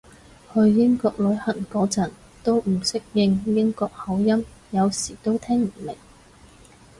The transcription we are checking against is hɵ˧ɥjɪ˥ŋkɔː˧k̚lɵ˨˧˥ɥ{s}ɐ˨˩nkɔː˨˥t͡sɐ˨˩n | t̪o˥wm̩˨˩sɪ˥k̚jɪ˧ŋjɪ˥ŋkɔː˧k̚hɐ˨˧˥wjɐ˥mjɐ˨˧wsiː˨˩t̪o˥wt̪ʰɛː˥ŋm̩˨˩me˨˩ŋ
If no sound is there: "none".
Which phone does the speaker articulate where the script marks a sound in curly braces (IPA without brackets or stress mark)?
h